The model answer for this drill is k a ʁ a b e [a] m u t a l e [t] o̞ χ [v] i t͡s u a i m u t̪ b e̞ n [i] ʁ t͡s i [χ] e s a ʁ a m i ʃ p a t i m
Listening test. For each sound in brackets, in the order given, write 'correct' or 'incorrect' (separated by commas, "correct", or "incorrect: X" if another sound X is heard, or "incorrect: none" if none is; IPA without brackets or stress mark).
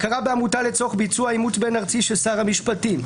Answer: correct, incorrect: t͡s, incorrect: b, incorrect: a, incorrect: ʃ